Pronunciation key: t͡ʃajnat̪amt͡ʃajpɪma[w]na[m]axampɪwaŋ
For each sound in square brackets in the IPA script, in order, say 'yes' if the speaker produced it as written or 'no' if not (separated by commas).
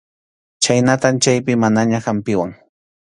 no, no